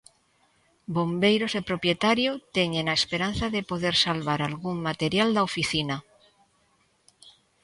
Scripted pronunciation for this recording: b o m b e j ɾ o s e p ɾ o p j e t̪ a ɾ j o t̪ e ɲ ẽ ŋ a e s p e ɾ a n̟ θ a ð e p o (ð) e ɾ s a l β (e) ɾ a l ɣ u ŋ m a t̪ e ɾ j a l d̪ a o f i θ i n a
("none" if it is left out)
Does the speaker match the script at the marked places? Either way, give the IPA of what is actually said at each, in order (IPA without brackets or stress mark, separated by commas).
ð, a